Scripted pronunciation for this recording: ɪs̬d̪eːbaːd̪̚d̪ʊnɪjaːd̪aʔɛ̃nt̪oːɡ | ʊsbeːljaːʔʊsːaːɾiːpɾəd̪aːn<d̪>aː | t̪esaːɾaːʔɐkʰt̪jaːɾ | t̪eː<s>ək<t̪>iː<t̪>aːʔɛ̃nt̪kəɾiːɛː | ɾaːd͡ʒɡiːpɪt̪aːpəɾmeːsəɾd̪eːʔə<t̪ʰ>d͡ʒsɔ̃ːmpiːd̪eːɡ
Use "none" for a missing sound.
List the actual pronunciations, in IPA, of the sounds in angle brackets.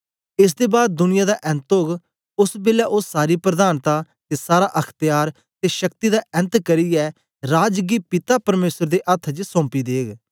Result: t̪, ʃ, t̪, d̪, t̪ʰ

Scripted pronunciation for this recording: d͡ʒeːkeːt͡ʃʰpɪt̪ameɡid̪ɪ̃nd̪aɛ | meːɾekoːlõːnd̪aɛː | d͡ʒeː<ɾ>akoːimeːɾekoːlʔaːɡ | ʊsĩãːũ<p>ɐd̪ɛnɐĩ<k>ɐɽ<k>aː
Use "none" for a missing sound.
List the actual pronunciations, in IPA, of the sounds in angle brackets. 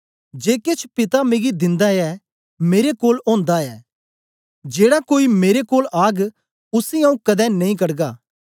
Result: ɽ, k, k, ɡ

